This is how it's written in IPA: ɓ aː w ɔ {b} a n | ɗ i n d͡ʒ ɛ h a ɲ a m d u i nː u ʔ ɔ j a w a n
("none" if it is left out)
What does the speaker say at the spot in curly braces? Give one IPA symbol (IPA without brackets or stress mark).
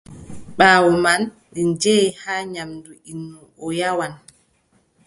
m